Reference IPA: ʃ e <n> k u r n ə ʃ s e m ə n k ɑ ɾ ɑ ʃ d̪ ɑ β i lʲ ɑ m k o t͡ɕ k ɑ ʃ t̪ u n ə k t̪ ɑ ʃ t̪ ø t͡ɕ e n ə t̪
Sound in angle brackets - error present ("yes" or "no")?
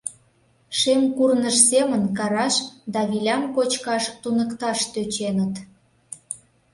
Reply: yes